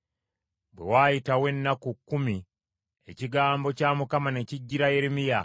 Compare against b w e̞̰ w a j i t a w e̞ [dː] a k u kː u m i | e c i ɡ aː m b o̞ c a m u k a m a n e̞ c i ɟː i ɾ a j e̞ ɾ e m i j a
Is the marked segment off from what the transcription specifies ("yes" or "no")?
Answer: yes